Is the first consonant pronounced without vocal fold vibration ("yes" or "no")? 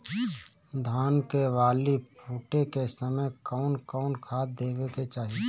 no